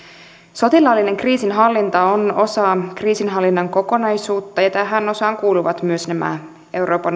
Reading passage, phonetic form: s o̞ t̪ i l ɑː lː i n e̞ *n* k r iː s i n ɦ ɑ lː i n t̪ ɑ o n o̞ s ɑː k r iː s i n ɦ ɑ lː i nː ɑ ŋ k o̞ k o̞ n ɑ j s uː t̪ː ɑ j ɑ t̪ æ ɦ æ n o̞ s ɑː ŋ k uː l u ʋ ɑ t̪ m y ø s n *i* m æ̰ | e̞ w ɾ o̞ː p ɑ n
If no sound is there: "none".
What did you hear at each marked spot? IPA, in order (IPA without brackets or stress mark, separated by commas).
ŋ, æ